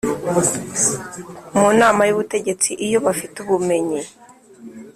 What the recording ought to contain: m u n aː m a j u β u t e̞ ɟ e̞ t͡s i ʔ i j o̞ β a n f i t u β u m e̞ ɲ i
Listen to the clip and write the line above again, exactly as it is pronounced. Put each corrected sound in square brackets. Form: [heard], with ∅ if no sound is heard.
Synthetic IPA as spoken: m u n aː m a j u β u t e̞ ɟ e̞ t͡s i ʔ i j o̞ β a [∅] f i t u β u m e̞ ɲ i